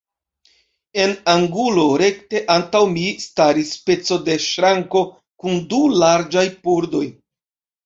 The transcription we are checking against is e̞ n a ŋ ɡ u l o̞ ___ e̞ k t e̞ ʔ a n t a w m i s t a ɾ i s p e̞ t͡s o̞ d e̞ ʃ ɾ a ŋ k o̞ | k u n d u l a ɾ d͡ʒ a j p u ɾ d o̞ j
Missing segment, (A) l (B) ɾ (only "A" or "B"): B